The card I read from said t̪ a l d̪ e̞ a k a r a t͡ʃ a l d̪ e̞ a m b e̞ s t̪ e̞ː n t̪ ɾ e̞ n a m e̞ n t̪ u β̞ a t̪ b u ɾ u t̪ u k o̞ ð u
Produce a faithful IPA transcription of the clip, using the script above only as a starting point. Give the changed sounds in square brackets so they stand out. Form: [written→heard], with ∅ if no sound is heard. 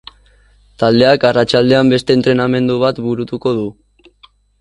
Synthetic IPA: t̪ a l d̪ e̞ a k a r a t͡ʃ a l d̪ e̞ a m b e̞ s t̪ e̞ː n t̪ ɾ e̞ n a m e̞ n [t̪→d̪] u β̞ a t̪ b u ɾ u t̪ u k o̞ ð u